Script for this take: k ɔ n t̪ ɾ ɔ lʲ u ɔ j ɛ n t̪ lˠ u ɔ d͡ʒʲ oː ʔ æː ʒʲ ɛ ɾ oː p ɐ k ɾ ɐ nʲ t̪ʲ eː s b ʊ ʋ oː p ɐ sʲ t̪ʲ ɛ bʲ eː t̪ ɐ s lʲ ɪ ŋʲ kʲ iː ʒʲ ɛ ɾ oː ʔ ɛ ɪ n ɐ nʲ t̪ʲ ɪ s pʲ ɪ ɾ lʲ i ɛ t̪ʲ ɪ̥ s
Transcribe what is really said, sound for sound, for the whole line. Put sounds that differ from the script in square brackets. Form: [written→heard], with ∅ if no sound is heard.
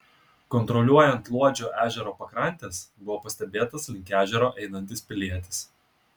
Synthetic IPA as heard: k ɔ n t̪ ɾ ɔ lʲ u ɔ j ɛ n t̪ lˠ u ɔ d͡ʒʲ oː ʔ æː ʒʲ ɛ ɾ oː p ɐ k ɾ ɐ nʲ t̪ʲ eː s b ʊ ʋ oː p ɐ sʲ t̪ʲ ɛ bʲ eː t̪ ɐ s lʲ ɪ ŋʲ kʲ [iː→æː] ʒʲ ɛ ɾ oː ʔ ɛ ɪ n ɐ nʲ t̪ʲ ɪ s pʲ ɪ [ɾ→∅] lʲ i ɛ t̪ʲ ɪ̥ s